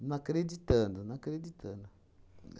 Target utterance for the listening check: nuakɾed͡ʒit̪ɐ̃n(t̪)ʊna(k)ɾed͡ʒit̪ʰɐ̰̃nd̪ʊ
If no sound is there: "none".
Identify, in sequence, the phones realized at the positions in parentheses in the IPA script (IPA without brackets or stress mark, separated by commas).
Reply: d̪, k